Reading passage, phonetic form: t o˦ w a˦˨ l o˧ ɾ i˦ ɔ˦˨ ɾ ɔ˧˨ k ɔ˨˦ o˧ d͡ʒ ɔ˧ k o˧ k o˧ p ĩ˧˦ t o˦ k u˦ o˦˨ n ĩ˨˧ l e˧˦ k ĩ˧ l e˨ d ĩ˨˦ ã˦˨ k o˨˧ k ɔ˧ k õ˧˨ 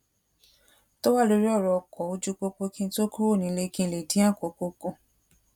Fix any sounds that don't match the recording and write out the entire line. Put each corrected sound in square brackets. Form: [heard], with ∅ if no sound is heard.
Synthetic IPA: t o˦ w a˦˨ l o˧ ɾ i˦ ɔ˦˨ ɾ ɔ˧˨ k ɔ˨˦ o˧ d͡ʒ [u˧] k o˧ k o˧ [k] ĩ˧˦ t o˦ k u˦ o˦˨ n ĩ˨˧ l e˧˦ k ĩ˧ l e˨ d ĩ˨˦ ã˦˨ k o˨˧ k [o˧] k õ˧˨